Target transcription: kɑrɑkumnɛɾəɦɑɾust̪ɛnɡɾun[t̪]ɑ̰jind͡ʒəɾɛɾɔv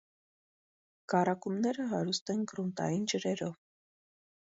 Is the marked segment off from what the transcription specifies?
no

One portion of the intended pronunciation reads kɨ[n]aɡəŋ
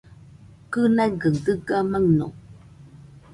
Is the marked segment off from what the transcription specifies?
no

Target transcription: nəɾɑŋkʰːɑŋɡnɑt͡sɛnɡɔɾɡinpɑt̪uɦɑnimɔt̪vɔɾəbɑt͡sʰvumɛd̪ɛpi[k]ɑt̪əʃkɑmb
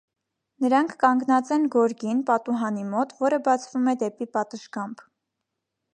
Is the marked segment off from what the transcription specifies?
yes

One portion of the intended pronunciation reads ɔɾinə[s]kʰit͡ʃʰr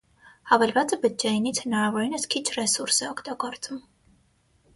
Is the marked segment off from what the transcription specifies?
no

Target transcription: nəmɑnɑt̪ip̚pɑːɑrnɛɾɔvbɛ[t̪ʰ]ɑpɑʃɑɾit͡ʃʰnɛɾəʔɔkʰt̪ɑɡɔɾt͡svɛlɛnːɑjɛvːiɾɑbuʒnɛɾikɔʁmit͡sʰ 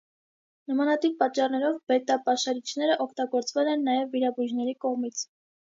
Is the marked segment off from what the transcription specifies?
yes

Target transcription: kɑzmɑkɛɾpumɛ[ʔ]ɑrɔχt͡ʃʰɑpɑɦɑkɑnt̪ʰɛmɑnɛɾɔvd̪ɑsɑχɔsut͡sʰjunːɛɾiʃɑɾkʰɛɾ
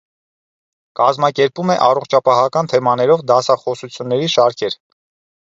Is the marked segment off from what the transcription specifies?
no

